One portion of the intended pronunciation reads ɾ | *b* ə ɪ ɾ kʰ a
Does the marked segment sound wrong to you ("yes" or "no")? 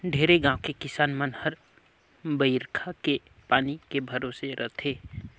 no